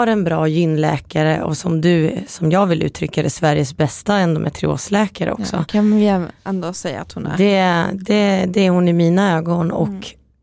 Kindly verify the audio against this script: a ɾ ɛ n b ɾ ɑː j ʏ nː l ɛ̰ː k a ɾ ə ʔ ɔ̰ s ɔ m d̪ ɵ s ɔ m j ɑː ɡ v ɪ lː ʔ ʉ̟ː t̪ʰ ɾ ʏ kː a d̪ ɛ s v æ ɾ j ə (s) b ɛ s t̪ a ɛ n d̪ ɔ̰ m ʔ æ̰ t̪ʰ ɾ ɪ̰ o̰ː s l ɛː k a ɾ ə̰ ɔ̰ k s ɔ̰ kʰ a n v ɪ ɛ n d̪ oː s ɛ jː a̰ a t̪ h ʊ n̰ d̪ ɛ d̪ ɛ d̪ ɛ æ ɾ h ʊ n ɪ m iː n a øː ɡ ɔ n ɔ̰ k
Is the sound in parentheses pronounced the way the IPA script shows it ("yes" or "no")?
yes